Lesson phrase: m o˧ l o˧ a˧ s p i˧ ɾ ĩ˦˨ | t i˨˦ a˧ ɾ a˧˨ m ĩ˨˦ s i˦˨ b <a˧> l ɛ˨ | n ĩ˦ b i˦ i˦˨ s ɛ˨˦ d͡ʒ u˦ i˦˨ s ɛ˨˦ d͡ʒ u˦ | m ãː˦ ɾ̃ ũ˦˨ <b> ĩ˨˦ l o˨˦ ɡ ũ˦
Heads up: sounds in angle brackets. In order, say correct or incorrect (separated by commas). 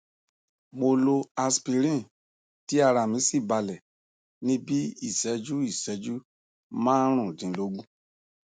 correct, incorrect